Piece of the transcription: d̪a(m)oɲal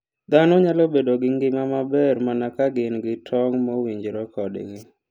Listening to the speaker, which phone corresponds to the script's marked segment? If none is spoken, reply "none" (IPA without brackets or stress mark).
n